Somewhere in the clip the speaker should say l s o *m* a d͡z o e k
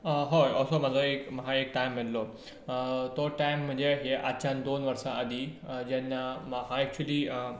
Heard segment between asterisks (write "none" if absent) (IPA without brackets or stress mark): m